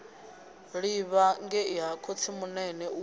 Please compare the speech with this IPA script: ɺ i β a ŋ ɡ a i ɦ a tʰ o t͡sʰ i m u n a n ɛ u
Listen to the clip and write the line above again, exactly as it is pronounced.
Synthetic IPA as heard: ɺ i β a ŋ ɡ ɛ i ɦ a kʰ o t͡sʰ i m u n ɛ n ɛ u